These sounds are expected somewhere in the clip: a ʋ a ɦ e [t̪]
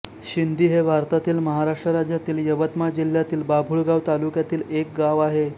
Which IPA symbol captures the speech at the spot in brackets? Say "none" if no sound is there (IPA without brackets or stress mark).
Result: none